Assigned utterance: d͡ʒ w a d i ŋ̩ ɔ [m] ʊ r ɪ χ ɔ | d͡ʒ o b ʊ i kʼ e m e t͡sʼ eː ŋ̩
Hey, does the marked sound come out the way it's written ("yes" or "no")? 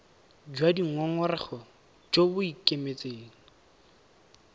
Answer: no